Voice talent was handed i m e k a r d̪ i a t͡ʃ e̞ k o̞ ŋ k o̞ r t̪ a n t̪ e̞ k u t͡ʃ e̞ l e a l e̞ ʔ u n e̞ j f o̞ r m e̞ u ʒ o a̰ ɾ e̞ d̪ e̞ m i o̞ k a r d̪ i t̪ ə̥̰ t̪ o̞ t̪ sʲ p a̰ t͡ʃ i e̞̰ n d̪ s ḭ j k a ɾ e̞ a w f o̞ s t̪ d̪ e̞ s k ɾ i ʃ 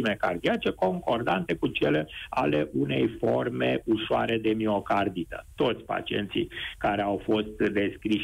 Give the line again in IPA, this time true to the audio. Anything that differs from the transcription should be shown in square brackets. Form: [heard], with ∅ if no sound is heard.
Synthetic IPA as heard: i m e k a r d̪ i a t͡ʃ e̞ k o̞ ŋ k o̞ r [d̪] a n t̪ e̞ k u t͡ʃ e̞ l e a l e̞ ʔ u n e̞ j f o̞ r m e̞ u [ʃ] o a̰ ɾ e̞ d̪ e̞ m i o̞ k a r d̪ i t̪ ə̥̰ t̪ o̞ t̪ sʲ p a̰ t͡ʃ i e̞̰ n [t̪] s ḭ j k a ɾ e̞ a w f o̞ s t̪ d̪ e̞ s k ɾ i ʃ